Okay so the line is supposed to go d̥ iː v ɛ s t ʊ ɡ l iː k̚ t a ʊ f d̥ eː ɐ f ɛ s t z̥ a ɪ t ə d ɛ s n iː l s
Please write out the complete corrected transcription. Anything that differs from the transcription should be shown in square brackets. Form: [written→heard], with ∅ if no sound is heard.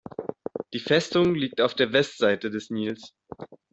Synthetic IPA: d̥ iː [v→f] ɛ s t ʊ [ɡ→ŋ] l iː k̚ t a ʊ f d̥ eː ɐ [f→v] ɛ s t z̥ a ɪ t ə d ɛ s n iː l s